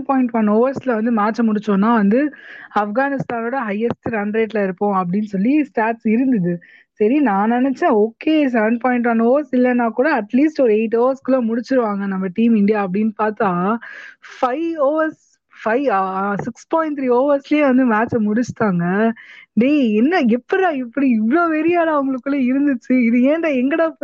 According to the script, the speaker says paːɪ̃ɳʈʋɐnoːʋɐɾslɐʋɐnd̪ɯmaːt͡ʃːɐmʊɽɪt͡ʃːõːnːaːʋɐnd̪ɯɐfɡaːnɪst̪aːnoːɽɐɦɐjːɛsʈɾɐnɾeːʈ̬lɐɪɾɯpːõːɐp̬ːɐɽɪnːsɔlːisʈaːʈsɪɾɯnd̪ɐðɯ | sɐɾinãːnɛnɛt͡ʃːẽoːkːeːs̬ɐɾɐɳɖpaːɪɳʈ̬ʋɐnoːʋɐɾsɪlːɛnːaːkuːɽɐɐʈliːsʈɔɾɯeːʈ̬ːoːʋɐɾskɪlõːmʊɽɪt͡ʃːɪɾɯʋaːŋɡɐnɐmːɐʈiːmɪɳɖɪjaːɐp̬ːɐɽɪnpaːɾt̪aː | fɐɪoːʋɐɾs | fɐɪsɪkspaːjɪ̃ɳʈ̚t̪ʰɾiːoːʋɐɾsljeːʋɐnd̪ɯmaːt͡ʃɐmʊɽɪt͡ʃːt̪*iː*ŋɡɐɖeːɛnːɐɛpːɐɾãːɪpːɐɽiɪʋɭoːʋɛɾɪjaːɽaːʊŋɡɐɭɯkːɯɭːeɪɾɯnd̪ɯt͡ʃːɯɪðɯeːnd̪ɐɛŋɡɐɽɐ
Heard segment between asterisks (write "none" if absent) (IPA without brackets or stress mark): aː